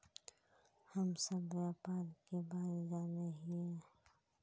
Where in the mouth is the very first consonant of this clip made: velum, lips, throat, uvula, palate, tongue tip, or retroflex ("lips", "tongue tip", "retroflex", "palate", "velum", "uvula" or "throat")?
throat